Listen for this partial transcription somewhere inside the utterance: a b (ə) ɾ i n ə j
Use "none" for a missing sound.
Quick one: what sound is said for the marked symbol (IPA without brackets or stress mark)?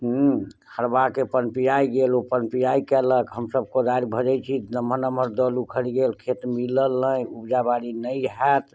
a